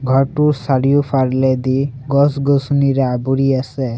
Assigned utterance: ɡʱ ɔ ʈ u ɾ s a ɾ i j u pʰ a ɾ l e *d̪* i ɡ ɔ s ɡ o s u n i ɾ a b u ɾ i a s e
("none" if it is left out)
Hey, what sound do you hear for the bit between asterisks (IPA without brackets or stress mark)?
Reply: d̪